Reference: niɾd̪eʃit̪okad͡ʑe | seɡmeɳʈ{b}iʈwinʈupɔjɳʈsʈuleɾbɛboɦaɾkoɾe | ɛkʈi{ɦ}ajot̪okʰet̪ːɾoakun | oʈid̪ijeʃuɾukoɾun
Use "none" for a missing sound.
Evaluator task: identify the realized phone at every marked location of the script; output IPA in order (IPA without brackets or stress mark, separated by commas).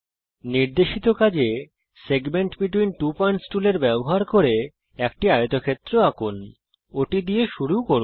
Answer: b, none